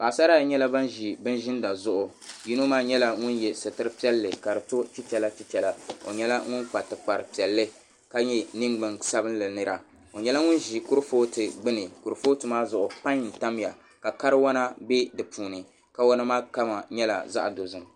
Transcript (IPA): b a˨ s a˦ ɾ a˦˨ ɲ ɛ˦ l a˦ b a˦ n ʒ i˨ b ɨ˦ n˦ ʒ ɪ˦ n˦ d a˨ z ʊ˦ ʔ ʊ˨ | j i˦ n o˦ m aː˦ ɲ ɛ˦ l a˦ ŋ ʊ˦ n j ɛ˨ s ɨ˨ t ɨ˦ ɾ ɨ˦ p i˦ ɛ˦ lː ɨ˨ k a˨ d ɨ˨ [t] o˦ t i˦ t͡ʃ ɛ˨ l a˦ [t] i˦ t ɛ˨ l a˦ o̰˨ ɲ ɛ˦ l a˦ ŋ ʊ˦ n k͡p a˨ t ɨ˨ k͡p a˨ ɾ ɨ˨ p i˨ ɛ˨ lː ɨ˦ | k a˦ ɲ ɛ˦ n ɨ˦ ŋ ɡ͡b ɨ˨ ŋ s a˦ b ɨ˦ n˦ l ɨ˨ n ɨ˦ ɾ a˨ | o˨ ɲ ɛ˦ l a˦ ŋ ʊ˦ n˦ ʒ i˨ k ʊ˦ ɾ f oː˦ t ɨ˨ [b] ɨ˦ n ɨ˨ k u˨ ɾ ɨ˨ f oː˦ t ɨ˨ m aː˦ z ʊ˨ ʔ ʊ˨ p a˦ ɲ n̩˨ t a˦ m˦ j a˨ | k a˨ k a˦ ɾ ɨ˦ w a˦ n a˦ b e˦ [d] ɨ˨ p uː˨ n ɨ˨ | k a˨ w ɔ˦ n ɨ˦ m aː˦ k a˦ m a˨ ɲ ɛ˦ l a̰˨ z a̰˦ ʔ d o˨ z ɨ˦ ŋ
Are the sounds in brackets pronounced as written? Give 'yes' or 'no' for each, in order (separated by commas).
yes, yes, no, yes